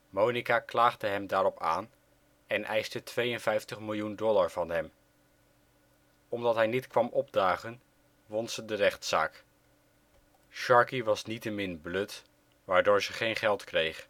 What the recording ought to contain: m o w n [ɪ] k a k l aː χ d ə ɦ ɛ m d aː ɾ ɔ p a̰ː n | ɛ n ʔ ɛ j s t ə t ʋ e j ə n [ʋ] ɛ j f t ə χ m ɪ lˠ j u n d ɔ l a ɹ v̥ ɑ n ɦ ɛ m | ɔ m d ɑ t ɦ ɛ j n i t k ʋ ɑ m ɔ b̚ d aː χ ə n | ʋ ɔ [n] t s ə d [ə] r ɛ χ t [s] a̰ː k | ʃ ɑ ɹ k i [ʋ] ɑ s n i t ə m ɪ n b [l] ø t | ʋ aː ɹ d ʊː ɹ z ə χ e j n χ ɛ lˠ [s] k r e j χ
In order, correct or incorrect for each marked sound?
incorrect, incorrect, correct, correct, correct, correct, correct, incorrect

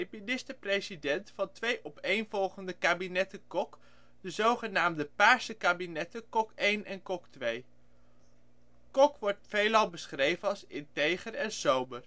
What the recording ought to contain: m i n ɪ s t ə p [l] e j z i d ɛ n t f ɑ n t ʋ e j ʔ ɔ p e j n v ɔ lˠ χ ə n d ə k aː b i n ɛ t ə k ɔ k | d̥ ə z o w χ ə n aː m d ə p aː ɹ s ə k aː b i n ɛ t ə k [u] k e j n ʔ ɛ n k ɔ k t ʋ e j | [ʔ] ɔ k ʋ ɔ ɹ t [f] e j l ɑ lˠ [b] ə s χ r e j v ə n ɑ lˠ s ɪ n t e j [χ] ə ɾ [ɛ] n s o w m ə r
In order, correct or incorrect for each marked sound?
incorrect, incorrect, incorrect, correct, correct, correct, correct

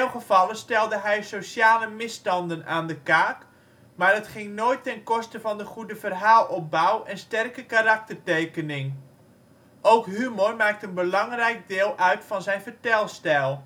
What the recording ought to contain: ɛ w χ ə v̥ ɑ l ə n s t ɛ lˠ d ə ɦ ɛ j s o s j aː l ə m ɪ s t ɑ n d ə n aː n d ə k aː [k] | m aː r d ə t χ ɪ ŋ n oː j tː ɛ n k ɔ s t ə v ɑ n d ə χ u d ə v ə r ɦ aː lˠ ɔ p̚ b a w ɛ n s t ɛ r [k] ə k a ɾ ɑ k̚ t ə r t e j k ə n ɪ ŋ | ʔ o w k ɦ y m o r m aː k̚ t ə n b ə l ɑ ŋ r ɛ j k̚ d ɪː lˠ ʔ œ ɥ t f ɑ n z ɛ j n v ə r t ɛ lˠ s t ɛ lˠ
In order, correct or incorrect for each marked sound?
correct, correct

